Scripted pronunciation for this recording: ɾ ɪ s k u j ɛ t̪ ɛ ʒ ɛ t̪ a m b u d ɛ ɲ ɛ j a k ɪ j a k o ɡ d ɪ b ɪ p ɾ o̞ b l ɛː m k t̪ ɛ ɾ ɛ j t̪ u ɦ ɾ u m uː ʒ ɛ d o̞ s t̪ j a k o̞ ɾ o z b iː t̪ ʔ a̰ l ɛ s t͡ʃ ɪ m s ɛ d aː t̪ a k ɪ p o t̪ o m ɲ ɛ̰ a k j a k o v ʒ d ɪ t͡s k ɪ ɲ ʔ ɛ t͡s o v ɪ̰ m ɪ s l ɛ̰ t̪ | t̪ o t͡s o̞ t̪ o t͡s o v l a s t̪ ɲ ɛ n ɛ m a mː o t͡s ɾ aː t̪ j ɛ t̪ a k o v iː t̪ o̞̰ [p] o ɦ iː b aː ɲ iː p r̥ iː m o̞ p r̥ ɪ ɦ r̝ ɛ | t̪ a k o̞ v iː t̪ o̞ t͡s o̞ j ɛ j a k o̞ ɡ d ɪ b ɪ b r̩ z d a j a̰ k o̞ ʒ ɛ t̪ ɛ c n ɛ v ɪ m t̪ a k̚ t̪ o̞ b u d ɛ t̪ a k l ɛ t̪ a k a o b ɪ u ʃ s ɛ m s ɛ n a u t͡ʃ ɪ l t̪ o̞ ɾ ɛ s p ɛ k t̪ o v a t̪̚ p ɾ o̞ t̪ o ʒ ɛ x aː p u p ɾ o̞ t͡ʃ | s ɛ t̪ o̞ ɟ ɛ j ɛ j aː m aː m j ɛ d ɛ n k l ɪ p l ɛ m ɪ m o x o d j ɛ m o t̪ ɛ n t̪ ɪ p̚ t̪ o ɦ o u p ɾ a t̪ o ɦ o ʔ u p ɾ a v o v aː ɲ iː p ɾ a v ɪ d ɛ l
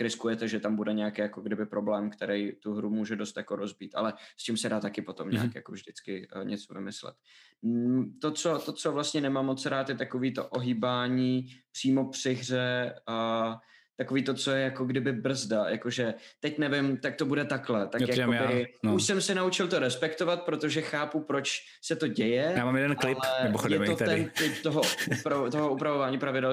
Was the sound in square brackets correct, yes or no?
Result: no